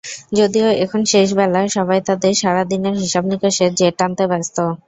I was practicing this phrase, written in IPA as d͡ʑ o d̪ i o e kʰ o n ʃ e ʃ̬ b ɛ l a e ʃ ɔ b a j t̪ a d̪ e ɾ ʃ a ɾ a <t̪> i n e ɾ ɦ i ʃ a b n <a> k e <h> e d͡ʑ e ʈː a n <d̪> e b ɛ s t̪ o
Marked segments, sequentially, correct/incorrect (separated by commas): incorrect, incorrect, incorrect, incorrect